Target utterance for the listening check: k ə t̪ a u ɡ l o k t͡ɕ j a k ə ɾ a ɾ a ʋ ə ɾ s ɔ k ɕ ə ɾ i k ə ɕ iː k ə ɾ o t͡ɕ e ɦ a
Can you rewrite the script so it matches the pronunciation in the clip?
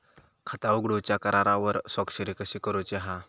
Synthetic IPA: kʰ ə t̪ a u ɡ ɽ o t͡ɕ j a k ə ɾ a ɾ a ʋ ə ɾ s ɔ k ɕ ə ɾ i k ə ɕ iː k ə ɾ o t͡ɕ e ɦ a